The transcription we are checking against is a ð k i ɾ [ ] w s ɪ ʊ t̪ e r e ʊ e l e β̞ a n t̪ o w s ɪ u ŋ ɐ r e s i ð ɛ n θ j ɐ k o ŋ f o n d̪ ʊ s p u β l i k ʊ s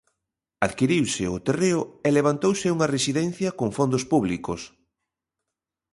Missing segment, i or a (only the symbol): i